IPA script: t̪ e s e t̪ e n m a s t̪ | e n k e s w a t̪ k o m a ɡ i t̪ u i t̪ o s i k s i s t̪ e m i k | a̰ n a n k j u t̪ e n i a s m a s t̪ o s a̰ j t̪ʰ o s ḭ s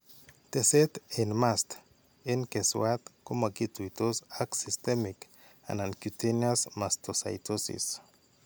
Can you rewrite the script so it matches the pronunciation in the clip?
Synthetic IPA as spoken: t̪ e s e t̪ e n m a s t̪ | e n k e s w a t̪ k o m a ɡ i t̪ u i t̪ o s a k s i s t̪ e m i k | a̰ n a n k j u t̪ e n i a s m a s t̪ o s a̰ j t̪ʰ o s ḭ s